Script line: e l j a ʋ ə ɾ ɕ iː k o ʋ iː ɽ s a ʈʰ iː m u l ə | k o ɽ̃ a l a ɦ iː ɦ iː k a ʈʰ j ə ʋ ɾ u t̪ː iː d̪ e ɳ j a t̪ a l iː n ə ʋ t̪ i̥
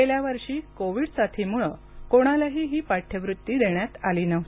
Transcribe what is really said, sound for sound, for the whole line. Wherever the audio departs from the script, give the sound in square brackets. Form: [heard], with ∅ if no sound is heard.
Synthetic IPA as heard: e l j a ʋ ə ɾ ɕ iː k o ʋ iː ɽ s a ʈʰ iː m u [ɭ] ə | k o ɽ̃ a l a ɦ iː ɦ iː [p] a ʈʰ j ə ʋ ɾ u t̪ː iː d̪ e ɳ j a t̪ a l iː n ə ʋ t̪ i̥